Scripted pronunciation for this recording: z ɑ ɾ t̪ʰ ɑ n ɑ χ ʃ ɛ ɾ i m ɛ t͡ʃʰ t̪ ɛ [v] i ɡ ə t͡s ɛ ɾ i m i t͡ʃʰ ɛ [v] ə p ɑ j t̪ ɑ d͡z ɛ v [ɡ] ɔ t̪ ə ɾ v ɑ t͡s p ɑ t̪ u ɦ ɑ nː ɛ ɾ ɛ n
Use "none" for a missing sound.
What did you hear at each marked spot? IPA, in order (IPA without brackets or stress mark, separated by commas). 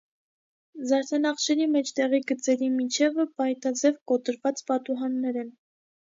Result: ʁ, v, k